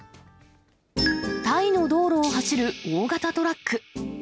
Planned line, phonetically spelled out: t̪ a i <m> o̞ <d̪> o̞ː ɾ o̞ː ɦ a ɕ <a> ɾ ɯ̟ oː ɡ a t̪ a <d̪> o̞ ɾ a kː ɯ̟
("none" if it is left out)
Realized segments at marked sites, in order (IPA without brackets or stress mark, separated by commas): n, d̪, i, t̪